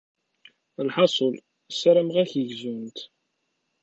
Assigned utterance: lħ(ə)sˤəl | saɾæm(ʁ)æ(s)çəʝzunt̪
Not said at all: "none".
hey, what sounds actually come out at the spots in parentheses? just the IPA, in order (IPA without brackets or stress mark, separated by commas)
ɑ, ʁ, none